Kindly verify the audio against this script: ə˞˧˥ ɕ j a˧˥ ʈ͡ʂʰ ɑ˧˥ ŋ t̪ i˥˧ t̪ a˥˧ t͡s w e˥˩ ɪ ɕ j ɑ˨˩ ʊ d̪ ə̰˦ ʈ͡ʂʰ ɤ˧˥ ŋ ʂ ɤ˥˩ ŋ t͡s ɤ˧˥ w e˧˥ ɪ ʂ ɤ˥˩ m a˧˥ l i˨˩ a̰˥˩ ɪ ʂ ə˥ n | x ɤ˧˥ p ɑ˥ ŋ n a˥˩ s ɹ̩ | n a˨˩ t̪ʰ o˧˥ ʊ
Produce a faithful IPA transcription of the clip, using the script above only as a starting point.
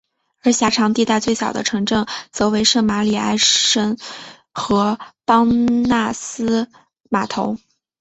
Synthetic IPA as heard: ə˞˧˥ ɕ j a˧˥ ʈ͡ʂʰ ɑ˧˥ ŋ t̪ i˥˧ t̪ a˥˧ t͡s w e˥˩ ɪ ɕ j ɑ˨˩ ʊ d̪ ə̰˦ ʈ͡ʂʰ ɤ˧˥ ŋ ʈ͡ʂ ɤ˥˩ ŋ t͡s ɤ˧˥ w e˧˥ ɪ ʂ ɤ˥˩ m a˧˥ l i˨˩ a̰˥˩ ɪ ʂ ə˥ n | x ɤ˧˥ p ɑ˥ ŋ n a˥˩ s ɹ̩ | m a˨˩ t̪ʰ o˧˥ ʊ